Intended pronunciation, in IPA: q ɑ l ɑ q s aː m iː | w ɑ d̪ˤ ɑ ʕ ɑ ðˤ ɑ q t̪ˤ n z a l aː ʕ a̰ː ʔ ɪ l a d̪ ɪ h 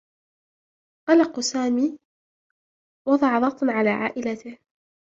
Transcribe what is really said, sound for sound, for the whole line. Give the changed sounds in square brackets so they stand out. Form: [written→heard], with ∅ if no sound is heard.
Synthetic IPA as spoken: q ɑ l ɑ q s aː m iː | w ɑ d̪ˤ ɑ ʕ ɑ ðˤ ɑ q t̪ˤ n [z→ʕ] a l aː ʕ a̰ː ʔ ɪ l a [d̪→t̪] ɪ h